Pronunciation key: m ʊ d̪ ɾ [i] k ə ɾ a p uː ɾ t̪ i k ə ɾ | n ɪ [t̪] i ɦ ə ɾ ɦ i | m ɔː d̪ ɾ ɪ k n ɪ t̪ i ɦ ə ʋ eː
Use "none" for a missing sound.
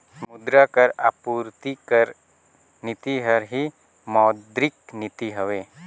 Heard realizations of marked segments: a, t̪

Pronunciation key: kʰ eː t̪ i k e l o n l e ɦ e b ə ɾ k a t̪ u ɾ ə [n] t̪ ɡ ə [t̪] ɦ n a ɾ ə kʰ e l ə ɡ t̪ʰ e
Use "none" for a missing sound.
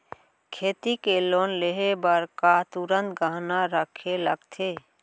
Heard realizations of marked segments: n, none

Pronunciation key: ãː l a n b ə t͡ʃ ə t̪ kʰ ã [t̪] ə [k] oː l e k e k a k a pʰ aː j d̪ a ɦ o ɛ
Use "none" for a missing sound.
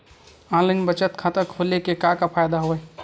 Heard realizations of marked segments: t̪, kʰ

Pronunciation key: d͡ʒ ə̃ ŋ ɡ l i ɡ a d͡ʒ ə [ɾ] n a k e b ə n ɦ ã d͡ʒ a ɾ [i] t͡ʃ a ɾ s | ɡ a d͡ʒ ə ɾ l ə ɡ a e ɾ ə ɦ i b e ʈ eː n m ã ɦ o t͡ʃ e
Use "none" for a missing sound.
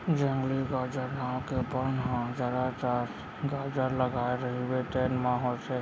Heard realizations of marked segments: ɾ, a

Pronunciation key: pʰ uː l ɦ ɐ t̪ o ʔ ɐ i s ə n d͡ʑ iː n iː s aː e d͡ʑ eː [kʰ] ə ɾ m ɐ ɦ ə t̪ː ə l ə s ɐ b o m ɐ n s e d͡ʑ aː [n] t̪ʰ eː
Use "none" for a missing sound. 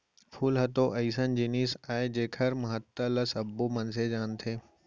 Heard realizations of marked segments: kʰ, n

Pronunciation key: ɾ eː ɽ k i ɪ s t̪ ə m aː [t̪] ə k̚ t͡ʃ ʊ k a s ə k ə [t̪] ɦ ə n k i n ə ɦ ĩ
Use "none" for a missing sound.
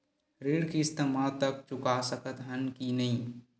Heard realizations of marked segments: t̪, t̪

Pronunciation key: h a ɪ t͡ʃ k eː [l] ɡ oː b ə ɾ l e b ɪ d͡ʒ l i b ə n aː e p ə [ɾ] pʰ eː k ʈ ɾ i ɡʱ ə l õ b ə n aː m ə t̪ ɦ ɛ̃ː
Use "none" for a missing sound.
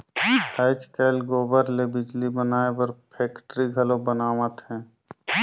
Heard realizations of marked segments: l, ɾ

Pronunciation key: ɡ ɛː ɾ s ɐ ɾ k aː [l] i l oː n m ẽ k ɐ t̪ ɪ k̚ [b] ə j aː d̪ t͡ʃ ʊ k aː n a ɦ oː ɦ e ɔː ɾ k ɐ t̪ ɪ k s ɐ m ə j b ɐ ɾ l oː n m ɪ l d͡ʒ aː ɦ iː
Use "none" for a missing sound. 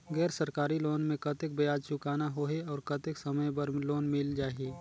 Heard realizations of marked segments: ɾ, b

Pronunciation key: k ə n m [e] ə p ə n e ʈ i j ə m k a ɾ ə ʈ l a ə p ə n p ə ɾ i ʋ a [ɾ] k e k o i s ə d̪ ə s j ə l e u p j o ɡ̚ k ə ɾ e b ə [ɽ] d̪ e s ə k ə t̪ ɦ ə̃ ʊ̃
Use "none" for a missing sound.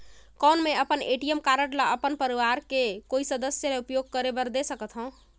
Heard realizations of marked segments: e, ɾ, ɾ

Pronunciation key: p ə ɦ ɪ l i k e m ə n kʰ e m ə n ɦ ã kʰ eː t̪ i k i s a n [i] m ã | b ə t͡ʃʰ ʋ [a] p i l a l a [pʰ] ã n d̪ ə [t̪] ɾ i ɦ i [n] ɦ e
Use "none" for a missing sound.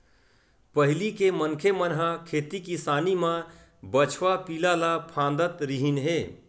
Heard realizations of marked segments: i, a, pʰ, t̪, n

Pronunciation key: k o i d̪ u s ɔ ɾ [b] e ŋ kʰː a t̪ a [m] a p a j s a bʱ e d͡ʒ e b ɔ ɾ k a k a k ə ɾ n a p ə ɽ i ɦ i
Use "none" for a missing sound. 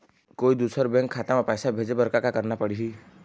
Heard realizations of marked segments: b, m

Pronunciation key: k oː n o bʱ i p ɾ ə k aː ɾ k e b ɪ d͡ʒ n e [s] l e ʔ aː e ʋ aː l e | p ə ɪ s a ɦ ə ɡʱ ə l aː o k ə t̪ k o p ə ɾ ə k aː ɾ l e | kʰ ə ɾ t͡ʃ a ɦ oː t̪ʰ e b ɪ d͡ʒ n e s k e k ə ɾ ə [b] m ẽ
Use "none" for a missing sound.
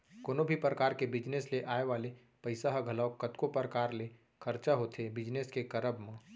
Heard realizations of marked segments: s, b

